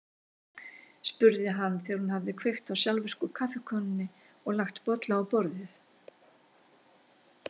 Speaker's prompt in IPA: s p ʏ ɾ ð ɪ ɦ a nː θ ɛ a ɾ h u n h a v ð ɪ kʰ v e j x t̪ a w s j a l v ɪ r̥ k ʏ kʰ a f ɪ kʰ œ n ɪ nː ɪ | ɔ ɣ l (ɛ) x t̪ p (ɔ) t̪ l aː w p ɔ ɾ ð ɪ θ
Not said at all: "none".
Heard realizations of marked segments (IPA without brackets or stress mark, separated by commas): a, ɔ